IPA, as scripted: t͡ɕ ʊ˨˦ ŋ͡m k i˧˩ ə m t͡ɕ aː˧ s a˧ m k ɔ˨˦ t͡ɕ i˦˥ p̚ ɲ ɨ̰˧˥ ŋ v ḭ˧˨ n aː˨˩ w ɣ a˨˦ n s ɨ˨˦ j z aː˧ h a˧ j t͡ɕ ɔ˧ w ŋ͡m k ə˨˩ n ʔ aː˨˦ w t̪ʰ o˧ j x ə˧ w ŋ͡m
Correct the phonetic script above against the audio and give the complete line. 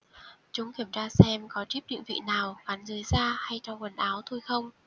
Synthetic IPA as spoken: t͡ɕ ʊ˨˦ ŋ͡m k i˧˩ ə m t͡ɕ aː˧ s ɛ˧ m k ɔ˨˦ t͡ɕ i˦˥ p̚ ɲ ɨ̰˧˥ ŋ v ḭ˧˨ n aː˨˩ w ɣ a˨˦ n z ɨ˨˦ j z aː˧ h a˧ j t͡ɕ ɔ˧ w ŋ͡m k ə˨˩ n ʔ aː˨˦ w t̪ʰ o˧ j x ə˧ w ŋ͡m